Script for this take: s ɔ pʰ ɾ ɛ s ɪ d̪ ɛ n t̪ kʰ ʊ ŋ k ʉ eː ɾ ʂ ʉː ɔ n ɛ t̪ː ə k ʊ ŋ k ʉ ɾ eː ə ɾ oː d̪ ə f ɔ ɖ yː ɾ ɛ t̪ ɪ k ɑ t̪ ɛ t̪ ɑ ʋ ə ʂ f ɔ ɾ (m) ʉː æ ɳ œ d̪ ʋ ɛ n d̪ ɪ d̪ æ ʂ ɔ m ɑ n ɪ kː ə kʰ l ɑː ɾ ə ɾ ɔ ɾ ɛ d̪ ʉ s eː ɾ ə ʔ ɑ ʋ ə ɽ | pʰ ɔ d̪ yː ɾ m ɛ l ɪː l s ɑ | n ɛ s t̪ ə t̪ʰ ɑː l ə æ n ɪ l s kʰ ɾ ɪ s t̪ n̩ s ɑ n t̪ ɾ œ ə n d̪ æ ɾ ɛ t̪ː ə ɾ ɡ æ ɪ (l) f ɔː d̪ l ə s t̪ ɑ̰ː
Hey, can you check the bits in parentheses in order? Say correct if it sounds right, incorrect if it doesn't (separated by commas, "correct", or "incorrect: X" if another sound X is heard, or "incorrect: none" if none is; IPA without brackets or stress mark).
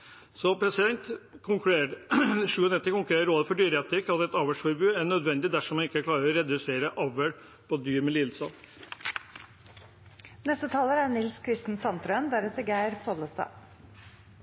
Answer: incorrect: b, incorrect: ɾ